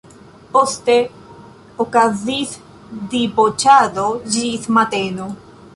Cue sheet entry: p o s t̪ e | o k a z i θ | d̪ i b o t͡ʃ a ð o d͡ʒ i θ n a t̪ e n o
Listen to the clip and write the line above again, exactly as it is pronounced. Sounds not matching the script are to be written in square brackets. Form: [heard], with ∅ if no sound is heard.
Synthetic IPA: p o s t̪ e | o k a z i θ | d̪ i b o t͡ʃ a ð o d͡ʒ i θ [m] a t̪ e n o